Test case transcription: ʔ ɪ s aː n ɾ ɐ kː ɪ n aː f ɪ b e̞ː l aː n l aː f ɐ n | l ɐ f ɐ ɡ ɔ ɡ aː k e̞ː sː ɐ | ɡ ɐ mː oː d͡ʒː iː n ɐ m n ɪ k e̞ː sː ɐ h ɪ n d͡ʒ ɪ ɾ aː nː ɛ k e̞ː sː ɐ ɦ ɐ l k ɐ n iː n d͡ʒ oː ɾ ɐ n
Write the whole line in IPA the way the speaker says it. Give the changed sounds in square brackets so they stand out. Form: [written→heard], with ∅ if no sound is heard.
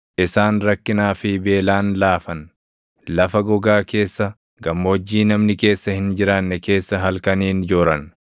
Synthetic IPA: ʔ ɪ s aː n ɾ ɐ kː ɪ n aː f ɪ b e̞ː l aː n l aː f ɐ n | l ɐ f ɐ ɡ ɔ ɡ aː k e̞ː sː ɐ | ɡ ɐ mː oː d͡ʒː iː n ɐ m n ɪ k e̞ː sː ɐ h ɪ n d͡ʒ ɪ ɾ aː nː ɛ k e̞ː sː ɐ ɦ ɐ l k ɐ n iː n d͡ʒ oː ɾ ɐ n